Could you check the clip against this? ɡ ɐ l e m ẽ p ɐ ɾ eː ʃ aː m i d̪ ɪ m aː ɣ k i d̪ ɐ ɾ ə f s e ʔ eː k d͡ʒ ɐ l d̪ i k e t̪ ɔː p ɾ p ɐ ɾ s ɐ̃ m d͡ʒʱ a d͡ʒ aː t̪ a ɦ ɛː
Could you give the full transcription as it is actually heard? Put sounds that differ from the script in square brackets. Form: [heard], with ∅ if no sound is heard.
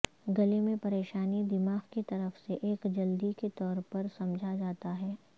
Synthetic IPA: ɡ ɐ l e m ẽ p ɐ ɾ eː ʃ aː [n] i d̪ ɪ m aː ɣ k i [t̪] ɐ ɾ ə f s e ʔ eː k d͡ʒ ɐ l d̪ i k e t̪ ɔː [∅] ɾ p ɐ ɾ s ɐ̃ m d͡ʒʱ a d͡ʒ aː t̪ a ɦ ɛː